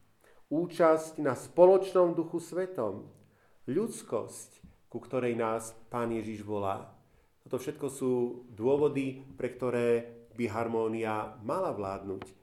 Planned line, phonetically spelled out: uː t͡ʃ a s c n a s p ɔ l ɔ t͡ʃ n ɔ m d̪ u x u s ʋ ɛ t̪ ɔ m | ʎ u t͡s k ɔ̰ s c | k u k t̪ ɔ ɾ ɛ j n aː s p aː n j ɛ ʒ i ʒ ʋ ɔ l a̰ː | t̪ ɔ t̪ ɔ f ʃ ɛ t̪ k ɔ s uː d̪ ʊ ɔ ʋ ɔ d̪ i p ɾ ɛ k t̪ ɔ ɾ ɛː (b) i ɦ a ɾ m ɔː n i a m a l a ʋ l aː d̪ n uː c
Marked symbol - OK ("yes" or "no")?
yes